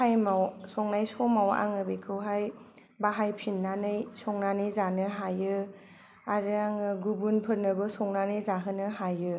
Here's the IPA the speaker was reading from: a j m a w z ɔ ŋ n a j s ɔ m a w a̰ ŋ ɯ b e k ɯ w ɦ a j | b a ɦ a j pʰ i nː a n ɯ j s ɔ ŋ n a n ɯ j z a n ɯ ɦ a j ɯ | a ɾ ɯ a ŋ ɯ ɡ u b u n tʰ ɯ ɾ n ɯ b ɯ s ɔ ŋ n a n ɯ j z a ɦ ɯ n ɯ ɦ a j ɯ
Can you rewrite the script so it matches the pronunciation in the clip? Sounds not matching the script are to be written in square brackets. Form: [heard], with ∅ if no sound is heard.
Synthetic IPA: a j m a w [s] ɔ ŋ n a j s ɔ m a w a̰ ŋ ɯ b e [kʰ] ɯ w ɦ a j | b a ɦ a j pʰ i nː a n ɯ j s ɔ ŋ n a n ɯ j z a n ɯ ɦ a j ɯ | a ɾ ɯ a ŋ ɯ ɡ u b u n [pʰ] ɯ ɾ n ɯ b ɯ s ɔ ŋ n a n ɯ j z a ɦ ɯ n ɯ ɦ a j ɯ

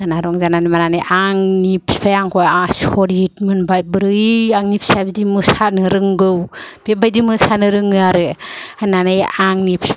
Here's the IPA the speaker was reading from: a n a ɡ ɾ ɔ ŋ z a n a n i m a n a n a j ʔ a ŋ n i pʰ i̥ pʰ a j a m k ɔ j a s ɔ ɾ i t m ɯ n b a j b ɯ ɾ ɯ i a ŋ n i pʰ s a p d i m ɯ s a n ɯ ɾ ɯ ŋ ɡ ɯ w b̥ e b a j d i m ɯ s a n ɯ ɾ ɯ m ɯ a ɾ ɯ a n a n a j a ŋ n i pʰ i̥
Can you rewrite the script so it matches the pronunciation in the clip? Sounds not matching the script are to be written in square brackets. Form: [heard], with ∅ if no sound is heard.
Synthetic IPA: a n a [∅] ɾ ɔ ŋ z a n a n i m a n a n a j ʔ a ŋ n i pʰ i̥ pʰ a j a [ŋ] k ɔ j a s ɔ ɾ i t m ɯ n b a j b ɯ ɾ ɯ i a ŋ n i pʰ s a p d i m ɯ s a n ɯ ɾ ɯ ŋ ɡ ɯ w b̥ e b a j d i m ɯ s a n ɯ ɾ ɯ [ŋ] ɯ a ɾ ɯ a n a n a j a ŋ n i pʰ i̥

